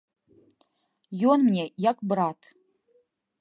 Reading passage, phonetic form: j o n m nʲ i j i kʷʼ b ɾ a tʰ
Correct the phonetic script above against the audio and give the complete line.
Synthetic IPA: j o n m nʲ e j a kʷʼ b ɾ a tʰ

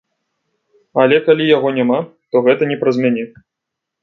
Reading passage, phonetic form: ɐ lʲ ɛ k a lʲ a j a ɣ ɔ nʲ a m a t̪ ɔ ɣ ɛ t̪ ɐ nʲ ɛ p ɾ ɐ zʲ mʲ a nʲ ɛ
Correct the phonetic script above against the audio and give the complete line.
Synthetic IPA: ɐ lʲ ɛ k a lʲ i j a ɣ ɔ nʲ a m a t̪ ɔ ɣ ɛ t̪ ɐ nʲ ɛ p ɾ ɐ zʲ mʲ a nʲ ɛ

